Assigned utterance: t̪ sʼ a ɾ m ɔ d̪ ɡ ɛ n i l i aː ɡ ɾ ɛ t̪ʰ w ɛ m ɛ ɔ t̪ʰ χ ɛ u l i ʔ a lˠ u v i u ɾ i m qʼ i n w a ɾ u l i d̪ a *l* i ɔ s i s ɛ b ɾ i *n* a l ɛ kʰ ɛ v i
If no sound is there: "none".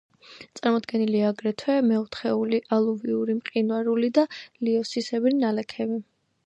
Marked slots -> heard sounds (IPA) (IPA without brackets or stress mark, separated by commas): l, n